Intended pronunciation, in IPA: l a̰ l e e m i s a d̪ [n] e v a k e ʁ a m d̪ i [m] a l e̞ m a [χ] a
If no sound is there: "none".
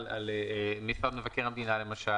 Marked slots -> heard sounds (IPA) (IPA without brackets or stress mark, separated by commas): m, n, ʃ